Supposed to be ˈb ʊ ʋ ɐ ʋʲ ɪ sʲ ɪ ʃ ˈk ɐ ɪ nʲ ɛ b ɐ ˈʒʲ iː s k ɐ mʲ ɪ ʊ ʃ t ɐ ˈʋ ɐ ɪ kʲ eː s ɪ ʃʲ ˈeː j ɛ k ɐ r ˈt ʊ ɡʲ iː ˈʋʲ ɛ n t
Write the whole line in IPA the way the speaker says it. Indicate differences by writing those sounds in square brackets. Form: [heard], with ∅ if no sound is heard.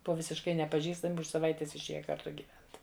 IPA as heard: ˈb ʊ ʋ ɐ ʋʲ ɪ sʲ ɪ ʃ ˈk ɐ ɪ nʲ ɛ [p] ɐ ˈʒʲ iː s [t] ɐ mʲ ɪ ʊ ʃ [s] ɐ ˈʋ ɐ ɪ [tʲ] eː s ɪ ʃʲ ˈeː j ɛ k ɐ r ˈt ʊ ɡʲ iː ˈʋʲ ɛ n t